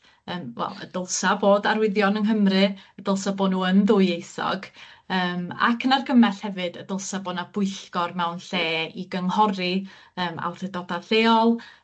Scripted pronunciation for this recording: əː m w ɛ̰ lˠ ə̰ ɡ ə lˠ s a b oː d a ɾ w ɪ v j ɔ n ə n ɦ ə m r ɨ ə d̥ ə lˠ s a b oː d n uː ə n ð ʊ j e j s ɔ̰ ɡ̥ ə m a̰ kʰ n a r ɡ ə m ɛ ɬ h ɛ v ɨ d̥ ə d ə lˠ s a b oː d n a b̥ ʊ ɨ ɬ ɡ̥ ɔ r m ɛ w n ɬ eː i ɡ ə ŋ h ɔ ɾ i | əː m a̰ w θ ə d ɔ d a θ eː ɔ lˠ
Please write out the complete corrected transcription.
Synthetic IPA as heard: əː m w ɛ̰ lˠ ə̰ d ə lˠ s a b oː d a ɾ w ɪ ð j ɔ n ə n ɦ ə m r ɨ ə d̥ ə lˠ s a b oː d n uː ə n ð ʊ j e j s ɔ̰ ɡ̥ əː m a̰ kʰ n a r ɡ ə m ɛ ɬ h ɛ v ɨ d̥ ə d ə lˠ s a b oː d n a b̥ ʊ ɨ ɬ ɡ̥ ɔ r m ɛ w n ɬ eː i ɡ ə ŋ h ɔ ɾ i | əː m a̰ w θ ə d ɔ d a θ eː ɔ lˠ

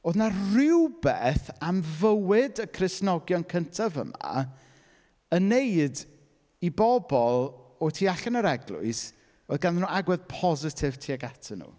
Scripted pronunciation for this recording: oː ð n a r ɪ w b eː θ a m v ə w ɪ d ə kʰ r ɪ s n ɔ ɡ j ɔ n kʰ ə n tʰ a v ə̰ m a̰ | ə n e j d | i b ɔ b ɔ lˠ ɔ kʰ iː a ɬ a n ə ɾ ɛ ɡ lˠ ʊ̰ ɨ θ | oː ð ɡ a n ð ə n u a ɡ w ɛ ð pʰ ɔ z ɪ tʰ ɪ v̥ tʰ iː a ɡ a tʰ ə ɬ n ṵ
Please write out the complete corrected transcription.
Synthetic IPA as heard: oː ð n a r ɪ w b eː θ a m v ə w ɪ d ə kʰ r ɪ s n ɔ ɡ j ɔ n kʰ ə n tʰ a v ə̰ m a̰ | ə n e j d | i b ɔ b ɔ lˠ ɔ tʰ iː a ɬ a n ə ɾ ɛ ɡ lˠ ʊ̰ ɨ s | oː ð ɡ a n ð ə n u a ɡ w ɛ ð pʰ ɔ z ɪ tʰ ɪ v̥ tʰ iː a ɡ a tʰ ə n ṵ

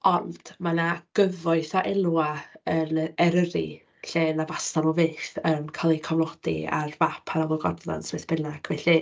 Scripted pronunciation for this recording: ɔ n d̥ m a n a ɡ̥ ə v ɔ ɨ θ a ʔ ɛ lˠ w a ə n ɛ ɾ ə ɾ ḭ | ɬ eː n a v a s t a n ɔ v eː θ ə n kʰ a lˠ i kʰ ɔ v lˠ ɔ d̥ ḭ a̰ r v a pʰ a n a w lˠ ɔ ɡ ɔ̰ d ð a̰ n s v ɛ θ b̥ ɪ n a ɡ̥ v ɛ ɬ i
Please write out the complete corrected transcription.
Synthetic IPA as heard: ɔ n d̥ m a n a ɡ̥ ə v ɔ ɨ θ a ʔ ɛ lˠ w a ə n ɛ ɾ ə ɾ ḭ | ɬ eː n a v a s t a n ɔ v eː θ ə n kʰ a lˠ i kʰ ɔ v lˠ ɔ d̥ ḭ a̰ r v a pʰ a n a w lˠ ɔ ɡ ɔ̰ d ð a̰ n s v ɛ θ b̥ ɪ n a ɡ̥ v ɛ ɬ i

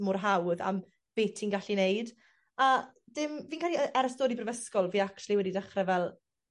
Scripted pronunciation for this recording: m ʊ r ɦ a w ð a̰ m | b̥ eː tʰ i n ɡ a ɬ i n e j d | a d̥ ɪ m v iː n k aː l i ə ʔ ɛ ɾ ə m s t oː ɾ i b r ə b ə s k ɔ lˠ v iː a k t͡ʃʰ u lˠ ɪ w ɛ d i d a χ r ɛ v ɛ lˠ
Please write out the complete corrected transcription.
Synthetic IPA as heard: m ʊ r ɦ a w ð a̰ m | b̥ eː tʰ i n ɡ a ɬ i n e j d | a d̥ ɪ m v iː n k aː l i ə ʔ ɛ ɾ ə s t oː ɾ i b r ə v ə s k ɔ lˠ v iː a k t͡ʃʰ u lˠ i w ɛ d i d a χ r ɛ v ɛ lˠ

